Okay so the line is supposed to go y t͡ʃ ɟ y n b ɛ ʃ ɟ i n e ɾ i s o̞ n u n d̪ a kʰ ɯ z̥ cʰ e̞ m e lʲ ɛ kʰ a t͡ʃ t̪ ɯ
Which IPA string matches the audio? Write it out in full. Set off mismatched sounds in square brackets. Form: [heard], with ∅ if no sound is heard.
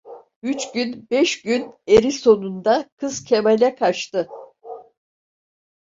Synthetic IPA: y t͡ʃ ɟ y n b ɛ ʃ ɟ [y] n e ɾ i s o̞ n u n d̪ a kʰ ɯ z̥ cʰ e̞ m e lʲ ɛ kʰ a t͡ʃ t̪ ɯ